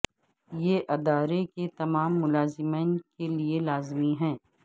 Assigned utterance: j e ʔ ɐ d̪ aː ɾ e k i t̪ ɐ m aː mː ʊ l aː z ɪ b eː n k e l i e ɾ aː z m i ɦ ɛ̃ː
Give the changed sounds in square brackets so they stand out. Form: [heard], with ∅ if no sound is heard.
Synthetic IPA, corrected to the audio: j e ʔ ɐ d̪ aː ɾ e k [e] t̪ ɐ m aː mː ʊ l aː z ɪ [m] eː n k e l i e [l] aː z m i ɦ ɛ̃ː